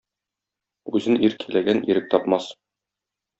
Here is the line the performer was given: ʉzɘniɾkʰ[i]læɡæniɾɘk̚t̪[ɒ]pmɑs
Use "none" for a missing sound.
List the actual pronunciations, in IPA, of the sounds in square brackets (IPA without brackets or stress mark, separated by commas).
i, ɒ